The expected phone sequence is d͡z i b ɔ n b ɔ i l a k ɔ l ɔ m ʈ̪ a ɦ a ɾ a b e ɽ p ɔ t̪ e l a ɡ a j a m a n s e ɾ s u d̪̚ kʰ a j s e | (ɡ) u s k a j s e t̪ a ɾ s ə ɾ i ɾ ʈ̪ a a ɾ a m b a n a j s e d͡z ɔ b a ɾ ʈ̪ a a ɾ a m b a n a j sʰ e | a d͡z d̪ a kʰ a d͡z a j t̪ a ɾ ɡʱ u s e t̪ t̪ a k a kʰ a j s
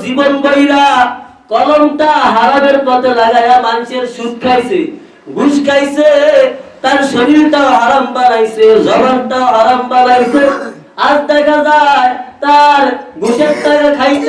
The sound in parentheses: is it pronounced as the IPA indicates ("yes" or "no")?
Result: yes